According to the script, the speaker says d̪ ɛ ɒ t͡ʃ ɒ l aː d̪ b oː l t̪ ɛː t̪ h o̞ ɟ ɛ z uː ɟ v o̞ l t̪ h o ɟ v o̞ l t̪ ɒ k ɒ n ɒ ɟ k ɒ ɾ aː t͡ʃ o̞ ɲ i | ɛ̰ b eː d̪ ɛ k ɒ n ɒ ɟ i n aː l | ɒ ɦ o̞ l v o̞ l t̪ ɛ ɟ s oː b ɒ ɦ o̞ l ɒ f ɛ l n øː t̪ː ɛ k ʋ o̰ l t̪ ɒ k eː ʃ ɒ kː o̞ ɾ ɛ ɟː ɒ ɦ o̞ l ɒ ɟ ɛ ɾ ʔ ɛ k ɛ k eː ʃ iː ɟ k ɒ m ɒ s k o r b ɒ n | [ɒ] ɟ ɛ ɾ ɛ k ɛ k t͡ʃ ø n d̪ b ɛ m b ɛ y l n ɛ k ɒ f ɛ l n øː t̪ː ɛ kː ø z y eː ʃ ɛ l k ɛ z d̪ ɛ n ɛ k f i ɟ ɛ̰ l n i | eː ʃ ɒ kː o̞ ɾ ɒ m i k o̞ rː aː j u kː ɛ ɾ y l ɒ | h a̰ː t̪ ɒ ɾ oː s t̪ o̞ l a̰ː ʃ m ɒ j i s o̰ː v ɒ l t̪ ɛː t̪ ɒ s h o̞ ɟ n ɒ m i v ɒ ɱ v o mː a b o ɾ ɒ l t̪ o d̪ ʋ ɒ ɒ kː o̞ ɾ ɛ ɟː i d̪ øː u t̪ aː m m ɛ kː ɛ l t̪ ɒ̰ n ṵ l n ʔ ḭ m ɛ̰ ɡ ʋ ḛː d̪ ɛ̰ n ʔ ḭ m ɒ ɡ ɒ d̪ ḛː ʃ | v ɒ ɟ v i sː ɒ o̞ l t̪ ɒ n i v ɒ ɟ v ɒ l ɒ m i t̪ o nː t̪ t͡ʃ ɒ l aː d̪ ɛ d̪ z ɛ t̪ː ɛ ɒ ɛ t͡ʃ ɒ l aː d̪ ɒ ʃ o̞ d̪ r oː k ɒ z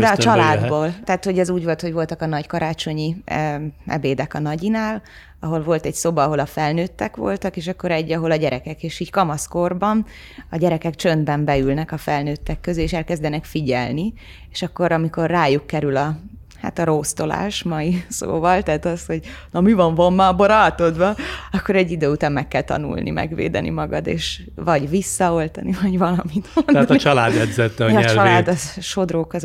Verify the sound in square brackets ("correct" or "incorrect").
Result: correct